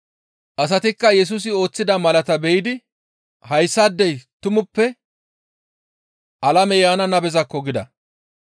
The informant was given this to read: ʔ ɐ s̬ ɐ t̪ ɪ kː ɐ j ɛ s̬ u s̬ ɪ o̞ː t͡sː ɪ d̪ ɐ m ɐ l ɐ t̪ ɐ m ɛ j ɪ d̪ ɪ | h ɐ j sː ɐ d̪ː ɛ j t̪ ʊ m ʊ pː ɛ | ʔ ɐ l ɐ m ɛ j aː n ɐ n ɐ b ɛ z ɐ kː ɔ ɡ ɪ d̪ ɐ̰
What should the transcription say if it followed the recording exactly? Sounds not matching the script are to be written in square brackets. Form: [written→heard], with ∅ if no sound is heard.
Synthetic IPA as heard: ʔ ɐ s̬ ɐ t̪ ɪ kː ɐ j ɛ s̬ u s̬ ɪ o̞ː t͡sː ɪ d̪ ɐ m ɐ l ɐ t̪ ɐ [m→b] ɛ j ɪ d̪ ɪ | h ɐ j sː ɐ d̪ː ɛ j t̪ ʊ m ʊ pː ɛ | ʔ ɐ l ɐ m ɛ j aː n ɐ n ɐ b ɛ z ɐ kː ɔ ɡ ɪ d̪ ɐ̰